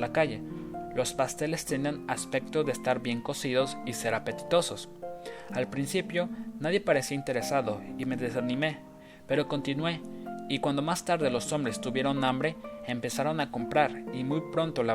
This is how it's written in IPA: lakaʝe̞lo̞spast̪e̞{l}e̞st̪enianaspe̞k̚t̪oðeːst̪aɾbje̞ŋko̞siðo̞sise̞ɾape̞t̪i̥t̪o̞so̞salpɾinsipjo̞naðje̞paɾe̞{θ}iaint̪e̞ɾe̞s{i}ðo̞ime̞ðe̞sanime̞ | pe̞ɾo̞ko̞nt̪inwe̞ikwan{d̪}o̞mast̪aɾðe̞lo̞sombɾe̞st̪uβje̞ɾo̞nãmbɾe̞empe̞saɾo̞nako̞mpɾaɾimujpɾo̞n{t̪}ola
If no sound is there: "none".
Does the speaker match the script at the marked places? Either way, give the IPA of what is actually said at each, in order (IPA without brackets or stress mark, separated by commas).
l, s, a, d̪, t̪